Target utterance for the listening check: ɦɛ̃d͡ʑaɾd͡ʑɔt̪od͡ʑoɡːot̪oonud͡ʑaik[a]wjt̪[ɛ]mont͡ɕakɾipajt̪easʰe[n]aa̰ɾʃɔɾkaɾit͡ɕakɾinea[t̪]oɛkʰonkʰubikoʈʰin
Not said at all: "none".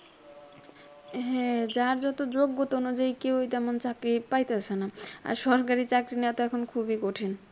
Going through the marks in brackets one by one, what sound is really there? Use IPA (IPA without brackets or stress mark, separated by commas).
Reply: e, ɛ, n, t̪